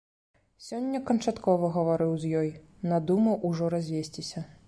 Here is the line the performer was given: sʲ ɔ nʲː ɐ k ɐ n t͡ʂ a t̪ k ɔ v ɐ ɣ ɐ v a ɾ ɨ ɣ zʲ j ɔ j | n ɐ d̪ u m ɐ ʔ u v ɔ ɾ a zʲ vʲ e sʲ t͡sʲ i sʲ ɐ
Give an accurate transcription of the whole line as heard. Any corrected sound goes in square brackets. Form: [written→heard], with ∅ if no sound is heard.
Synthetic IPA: sʲ ɔ nʲː ɐ k ɐ n t͡ʂ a t̪ k ɔ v ɐ ɣ ɐ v a ɾ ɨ [ɣ→w] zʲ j ɔ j | n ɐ d̪ u m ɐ ʔ u [v→ʐ] ɔ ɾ a zʲ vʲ e sʲ t͡sʲ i sʲ ɐ